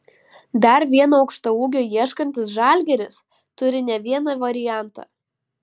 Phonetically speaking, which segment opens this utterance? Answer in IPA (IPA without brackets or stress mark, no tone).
d̪